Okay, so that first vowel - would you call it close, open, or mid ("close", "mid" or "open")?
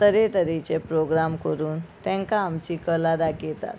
mid